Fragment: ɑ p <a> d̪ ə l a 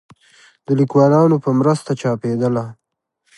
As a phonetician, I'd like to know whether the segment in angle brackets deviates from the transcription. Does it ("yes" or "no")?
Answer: yes